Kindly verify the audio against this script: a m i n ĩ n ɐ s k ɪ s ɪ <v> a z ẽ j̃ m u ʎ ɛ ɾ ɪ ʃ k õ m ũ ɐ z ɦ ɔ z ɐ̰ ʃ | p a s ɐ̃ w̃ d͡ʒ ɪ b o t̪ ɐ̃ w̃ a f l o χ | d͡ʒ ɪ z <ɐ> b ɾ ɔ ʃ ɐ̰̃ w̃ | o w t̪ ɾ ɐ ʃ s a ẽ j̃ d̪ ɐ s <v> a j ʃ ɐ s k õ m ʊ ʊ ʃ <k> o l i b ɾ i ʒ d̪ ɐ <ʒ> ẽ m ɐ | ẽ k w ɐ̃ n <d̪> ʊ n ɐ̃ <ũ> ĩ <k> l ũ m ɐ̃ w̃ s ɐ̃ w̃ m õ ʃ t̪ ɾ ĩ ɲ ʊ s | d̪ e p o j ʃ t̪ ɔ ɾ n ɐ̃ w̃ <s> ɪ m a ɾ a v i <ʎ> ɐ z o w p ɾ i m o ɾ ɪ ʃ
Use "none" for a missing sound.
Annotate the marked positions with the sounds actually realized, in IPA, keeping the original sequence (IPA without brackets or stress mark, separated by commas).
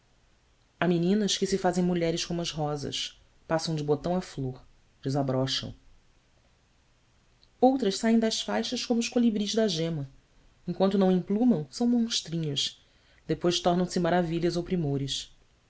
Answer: f, a, f, k, ʒ, t̪, w̃, p, s, ʎ